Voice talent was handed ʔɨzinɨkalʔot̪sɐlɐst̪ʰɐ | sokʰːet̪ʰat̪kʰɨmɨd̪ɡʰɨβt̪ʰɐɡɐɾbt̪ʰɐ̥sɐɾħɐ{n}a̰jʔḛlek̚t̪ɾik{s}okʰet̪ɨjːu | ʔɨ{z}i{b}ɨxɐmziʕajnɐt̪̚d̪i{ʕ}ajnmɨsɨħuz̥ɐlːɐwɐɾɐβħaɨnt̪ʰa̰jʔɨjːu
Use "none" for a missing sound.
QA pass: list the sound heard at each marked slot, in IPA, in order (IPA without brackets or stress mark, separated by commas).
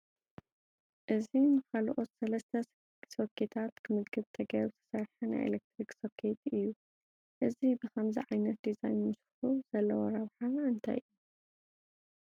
n, s, z, b, z